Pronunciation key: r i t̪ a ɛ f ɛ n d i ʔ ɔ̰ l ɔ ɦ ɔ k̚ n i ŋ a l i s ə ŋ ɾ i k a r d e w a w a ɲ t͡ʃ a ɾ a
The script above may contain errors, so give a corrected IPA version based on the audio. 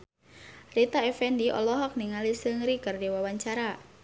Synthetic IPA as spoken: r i t̪ a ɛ f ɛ n d i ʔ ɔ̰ l ɔ ɦ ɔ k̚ n i ŋ a l i s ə ŋ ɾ i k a r d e w a w a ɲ t͡ʃ a ɾ a